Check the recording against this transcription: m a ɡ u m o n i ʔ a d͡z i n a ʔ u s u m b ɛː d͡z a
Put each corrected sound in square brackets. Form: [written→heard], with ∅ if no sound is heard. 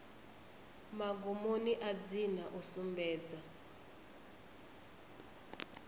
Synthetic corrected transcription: m a ɡ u m o n i ʔ a d͡z i n a ʔ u s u m b ɛː d͡z a